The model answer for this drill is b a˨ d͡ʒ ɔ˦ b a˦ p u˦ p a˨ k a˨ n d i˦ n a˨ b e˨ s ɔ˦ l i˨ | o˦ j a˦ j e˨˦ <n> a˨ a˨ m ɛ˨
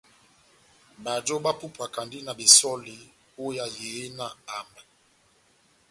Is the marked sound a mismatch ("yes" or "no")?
no